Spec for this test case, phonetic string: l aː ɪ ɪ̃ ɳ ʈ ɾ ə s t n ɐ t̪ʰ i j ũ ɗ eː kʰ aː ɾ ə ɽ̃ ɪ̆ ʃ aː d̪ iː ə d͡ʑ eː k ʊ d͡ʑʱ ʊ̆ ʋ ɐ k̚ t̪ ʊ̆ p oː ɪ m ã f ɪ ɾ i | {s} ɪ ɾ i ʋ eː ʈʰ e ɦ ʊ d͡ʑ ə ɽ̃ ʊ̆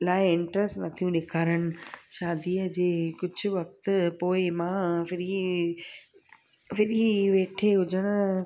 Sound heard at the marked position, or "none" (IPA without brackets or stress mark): f